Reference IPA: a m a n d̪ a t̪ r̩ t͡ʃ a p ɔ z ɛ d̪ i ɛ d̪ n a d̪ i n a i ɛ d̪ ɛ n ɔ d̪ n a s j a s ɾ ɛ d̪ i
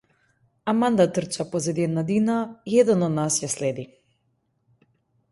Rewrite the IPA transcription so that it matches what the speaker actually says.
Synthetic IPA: a m a n d̪ a t̪ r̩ t͡ʃ a p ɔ z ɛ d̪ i ɛ d̪ n a d̪ i n a i ɛ d̪ ɛ n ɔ d̪ n a s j a s l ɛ d̪ i